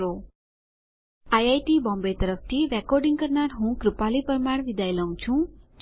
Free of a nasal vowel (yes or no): no